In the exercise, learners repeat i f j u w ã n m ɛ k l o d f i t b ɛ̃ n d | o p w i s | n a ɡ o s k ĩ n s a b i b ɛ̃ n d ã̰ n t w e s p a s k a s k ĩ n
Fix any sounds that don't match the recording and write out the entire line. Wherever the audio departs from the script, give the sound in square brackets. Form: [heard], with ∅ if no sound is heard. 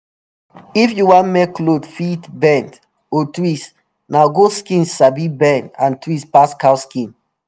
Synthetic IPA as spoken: i f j u w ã n m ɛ k l o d f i t b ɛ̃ n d | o [t] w i s | n a ɡ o s k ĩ n s a b i b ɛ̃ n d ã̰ n t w [i] s p a s k a s k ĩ n